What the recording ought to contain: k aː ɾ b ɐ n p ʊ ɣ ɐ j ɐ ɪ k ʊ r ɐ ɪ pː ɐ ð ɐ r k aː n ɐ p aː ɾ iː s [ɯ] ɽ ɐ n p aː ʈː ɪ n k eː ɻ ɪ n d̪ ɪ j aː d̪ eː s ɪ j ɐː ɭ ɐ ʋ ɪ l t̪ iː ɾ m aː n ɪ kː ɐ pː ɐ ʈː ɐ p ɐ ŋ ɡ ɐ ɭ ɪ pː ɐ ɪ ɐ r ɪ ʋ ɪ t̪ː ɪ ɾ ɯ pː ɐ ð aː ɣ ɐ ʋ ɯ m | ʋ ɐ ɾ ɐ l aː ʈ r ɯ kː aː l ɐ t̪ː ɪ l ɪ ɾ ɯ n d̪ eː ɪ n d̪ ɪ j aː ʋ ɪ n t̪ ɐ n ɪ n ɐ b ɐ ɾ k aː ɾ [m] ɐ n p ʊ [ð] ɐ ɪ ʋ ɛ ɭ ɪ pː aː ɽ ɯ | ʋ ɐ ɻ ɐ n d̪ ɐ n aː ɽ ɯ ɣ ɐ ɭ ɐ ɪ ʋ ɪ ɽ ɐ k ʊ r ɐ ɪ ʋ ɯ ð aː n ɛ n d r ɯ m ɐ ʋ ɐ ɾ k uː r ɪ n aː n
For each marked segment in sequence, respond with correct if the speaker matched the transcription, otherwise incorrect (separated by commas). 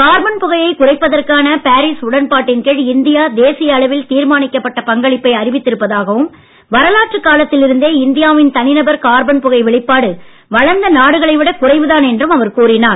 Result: incorrect, incorrect, incorrect